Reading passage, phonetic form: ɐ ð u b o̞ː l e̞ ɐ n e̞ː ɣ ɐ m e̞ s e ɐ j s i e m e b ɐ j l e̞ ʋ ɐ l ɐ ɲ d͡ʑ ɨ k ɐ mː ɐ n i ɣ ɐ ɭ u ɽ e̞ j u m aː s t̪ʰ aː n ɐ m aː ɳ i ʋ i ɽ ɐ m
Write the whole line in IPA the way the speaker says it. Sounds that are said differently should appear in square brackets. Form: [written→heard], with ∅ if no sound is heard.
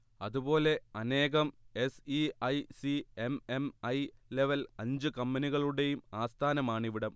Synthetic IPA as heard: ɐ ð u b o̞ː l e̞ ɐ n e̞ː ɣ ɐ m e̞ s [e→i] ɐ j s i e m e [b→m] ɐ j l e̞ ʋ ɐ l ɐ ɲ d͡ʑ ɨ k ɐ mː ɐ n i ɣ ɐ ɭ u ɽ e̞ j u m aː s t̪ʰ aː n ɐ m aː ɳ i ʋ i ɽ ɐ m